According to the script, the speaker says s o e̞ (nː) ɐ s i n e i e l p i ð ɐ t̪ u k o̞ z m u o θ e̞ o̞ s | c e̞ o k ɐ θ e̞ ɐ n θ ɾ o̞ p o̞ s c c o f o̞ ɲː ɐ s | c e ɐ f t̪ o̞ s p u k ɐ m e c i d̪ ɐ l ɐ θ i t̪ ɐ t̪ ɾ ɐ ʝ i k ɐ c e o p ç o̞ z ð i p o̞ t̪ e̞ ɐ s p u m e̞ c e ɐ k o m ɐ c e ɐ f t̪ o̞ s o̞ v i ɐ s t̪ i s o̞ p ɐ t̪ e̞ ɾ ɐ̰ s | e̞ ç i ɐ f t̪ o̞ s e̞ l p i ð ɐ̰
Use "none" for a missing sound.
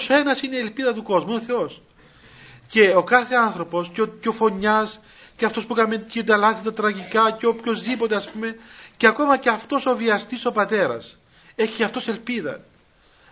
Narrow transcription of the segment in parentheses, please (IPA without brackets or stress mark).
n